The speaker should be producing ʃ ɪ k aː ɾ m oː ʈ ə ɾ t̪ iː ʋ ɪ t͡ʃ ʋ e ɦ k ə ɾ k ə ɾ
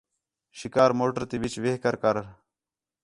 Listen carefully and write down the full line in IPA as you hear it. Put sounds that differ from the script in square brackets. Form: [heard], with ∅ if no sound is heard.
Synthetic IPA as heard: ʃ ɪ k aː ɾ m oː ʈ ə ɾ t̪ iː ʋ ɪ t͡ʃ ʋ e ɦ k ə ɾ k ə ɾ